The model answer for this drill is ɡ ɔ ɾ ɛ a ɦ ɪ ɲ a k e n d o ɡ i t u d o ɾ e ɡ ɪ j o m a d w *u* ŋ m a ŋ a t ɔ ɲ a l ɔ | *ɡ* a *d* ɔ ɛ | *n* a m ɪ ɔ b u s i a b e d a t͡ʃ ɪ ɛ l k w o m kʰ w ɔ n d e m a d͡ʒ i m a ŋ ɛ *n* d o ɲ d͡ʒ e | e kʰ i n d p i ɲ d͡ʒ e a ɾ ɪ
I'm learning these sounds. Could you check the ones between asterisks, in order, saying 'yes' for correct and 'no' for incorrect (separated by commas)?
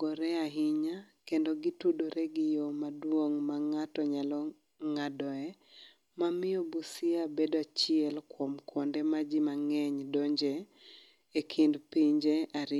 no, no, yes, no, no